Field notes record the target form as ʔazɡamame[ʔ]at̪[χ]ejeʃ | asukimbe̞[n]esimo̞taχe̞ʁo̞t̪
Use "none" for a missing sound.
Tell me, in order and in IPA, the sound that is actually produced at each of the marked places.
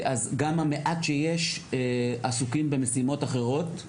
ʔ, ʃ, m

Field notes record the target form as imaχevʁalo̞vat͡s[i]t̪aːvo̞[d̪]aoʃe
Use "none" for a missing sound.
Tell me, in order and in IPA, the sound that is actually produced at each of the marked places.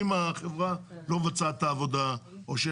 a, d̪

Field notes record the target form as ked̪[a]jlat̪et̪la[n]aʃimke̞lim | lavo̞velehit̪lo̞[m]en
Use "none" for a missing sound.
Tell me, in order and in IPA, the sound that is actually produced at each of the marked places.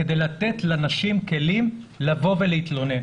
e, n, n

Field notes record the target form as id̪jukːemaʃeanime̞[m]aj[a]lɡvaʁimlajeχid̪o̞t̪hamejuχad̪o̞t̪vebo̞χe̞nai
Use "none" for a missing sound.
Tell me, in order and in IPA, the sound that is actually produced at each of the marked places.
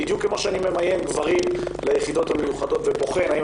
m, e

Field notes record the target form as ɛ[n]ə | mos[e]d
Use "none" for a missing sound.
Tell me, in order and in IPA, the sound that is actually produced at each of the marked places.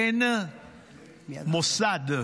n, a

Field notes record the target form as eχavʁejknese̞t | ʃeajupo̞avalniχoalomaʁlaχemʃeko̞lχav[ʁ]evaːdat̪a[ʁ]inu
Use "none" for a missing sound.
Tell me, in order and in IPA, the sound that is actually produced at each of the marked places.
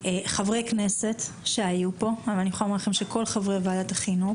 ʁ, χ

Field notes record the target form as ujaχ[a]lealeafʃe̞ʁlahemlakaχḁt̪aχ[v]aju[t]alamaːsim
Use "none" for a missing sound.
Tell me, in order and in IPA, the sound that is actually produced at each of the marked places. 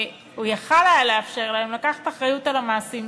a, ʁ, t

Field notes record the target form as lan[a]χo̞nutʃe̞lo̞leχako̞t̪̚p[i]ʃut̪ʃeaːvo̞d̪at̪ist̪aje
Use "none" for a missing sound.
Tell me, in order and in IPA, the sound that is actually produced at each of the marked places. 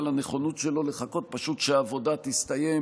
e, a

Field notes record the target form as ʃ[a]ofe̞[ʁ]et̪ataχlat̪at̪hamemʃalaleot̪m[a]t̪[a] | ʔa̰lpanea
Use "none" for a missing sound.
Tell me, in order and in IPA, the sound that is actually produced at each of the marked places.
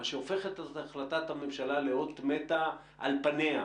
e, χ, e, a

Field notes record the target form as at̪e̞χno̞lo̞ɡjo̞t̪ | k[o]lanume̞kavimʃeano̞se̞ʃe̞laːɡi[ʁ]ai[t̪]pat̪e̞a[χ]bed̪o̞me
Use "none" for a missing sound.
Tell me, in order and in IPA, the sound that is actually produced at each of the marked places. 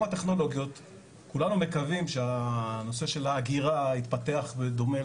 u, ʁ, t̪, χ

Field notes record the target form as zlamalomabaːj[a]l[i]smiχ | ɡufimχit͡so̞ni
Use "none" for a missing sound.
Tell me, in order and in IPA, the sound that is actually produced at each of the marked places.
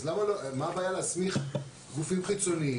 a, a

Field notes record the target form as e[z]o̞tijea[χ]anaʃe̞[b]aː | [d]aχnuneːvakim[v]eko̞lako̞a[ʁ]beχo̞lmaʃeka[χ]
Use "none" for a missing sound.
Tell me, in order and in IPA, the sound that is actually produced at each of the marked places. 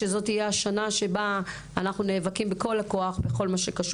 z, ʃ, b, n, b, χ, ʃ

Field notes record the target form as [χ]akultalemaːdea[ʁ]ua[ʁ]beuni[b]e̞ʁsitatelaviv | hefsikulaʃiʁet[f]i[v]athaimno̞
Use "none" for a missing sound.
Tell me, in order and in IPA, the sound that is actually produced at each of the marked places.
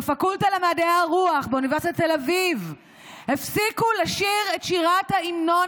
f, ʁ, χ, v, ʃ, ʁ

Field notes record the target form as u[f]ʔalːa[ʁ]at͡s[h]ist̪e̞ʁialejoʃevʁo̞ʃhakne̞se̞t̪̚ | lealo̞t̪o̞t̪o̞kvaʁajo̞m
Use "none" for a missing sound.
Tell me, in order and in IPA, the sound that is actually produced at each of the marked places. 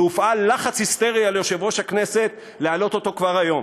f, χ, h

